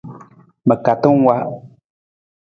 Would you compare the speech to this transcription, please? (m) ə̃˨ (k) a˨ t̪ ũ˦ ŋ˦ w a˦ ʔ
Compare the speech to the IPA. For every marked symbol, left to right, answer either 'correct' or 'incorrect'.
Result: correct, correct

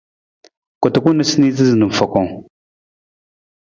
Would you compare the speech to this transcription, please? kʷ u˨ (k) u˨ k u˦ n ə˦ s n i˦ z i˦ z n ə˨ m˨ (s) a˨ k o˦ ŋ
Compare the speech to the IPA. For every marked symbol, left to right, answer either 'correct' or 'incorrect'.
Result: incorrect: t, incorrect: f

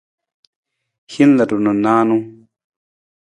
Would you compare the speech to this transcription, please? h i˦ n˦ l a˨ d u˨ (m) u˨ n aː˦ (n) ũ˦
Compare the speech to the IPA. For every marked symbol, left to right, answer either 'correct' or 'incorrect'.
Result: incorrect: n, correct

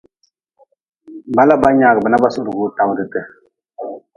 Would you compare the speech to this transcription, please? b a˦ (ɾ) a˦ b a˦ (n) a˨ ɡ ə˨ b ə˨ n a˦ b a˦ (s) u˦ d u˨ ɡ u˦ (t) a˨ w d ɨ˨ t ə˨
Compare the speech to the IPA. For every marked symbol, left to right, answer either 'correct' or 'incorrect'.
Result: incorrect: l, incorrect: ɲ, correct, correct

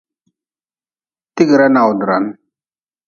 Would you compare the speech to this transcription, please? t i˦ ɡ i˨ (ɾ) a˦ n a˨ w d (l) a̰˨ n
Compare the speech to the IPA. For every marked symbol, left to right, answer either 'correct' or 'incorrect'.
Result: correct, incorrect: ɾ

